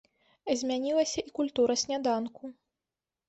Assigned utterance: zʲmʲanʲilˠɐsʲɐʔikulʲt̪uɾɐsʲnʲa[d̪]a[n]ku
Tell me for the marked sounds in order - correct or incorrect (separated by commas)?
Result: correct, correct